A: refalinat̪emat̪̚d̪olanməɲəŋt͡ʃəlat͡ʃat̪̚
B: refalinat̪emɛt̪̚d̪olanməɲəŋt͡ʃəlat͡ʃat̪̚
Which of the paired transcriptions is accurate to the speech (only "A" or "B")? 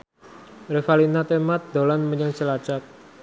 A